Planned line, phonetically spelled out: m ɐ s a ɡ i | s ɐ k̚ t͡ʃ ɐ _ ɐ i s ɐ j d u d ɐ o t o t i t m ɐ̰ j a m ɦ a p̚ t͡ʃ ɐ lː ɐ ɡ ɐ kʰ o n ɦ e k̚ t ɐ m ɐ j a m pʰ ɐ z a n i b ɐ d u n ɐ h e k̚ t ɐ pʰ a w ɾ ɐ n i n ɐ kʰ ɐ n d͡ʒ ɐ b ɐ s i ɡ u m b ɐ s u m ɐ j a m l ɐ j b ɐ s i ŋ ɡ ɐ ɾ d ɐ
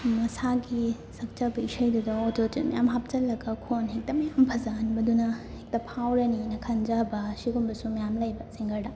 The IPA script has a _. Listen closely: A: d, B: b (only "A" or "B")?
B